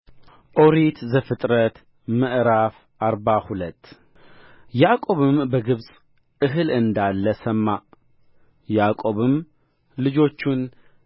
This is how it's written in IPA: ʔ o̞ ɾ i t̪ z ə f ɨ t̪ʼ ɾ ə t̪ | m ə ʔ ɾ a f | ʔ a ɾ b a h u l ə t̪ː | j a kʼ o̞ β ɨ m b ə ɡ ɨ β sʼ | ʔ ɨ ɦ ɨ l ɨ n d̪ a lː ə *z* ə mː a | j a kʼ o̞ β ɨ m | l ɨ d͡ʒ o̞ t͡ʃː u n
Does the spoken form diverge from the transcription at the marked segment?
yes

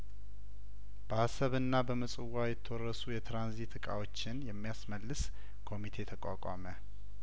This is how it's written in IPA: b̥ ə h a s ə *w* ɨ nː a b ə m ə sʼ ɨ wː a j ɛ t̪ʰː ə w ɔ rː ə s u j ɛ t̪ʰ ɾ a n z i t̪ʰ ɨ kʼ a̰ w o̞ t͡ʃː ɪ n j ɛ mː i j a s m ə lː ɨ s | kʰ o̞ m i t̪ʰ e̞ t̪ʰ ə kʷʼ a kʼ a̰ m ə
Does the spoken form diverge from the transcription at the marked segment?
yes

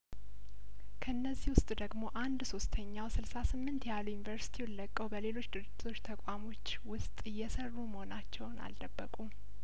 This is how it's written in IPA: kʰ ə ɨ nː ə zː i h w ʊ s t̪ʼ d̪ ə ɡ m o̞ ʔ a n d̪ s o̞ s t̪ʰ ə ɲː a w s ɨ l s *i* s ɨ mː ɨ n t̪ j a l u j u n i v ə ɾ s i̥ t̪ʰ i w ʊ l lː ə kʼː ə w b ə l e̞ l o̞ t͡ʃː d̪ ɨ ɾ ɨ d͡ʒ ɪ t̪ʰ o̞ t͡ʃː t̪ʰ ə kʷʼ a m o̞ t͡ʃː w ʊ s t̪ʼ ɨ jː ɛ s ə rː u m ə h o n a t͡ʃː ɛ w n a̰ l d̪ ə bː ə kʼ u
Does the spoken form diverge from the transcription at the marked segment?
yes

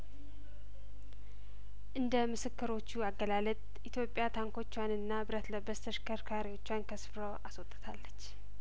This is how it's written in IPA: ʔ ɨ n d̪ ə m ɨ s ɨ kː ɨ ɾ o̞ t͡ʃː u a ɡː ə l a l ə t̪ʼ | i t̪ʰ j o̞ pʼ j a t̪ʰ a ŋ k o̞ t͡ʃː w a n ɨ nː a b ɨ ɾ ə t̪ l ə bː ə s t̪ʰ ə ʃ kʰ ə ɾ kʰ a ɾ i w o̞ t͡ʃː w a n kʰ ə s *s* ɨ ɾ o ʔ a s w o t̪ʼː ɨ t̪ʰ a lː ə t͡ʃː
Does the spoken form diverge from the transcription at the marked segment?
yes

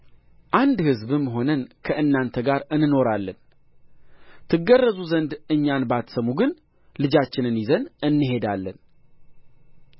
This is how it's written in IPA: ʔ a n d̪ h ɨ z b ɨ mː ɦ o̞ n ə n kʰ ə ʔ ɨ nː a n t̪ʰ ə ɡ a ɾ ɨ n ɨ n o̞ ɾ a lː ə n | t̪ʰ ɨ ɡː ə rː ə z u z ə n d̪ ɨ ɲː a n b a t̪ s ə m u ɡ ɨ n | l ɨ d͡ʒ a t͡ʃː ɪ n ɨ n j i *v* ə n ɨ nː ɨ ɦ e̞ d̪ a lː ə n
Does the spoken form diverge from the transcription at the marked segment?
yes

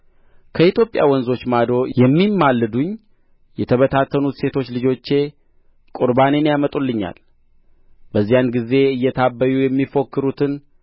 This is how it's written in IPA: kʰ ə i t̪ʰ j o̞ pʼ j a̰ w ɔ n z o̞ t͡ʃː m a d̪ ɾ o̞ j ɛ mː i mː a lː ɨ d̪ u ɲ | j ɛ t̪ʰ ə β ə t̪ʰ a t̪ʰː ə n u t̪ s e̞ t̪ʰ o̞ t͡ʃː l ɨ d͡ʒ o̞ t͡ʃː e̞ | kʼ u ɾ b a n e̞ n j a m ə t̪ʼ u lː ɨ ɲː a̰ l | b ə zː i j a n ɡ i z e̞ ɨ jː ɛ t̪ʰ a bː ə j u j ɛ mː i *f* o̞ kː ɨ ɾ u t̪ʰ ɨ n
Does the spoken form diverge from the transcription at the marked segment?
no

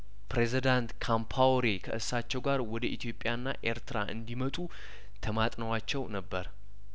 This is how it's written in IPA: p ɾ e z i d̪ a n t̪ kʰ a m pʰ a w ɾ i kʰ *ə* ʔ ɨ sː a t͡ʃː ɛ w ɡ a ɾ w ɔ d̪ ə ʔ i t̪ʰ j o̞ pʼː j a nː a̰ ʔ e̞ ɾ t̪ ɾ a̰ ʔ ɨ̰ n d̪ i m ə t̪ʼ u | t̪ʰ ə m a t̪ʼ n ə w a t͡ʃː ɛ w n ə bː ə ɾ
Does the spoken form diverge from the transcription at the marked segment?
no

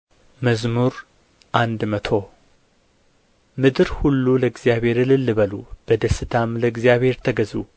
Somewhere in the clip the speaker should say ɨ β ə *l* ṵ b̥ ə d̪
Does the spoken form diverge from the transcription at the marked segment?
no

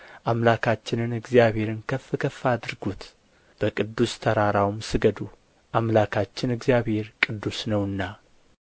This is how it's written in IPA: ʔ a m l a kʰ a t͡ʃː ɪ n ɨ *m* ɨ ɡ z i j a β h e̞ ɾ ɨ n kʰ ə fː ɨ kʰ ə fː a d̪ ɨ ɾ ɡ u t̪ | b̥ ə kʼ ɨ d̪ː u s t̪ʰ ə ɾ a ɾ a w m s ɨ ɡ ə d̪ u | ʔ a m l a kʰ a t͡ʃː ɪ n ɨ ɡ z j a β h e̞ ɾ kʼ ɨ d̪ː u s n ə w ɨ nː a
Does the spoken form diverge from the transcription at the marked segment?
yes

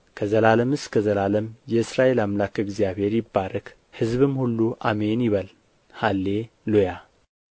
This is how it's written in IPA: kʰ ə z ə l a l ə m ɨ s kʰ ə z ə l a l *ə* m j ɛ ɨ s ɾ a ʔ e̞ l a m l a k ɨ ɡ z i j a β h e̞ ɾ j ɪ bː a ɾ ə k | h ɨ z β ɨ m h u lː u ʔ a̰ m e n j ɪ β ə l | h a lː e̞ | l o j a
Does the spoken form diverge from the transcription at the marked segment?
no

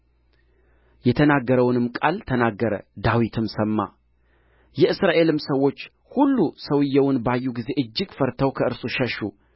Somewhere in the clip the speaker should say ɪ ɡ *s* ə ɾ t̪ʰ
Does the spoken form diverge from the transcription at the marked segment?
yes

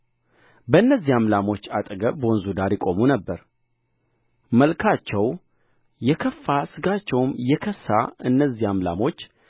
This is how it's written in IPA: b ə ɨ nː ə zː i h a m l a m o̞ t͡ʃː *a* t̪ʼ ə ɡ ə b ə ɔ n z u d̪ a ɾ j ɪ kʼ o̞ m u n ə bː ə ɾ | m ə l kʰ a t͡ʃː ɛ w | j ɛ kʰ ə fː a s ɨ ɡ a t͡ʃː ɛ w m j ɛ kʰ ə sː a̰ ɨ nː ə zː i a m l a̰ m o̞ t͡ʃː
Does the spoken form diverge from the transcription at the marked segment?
no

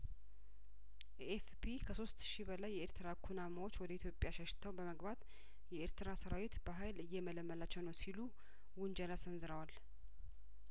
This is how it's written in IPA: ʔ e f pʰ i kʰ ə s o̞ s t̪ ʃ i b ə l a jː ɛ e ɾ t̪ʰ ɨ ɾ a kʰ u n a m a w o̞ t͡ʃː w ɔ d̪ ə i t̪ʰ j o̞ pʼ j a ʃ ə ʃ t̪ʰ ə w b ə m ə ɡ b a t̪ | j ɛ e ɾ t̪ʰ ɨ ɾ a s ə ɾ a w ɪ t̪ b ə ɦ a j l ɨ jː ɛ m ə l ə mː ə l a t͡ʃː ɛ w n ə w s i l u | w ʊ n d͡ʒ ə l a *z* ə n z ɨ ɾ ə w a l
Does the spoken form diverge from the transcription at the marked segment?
yes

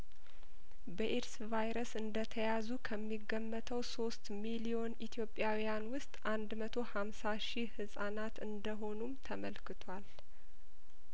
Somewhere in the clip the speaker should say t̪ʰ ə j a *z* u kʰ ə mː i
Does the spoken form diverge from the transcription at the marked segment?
no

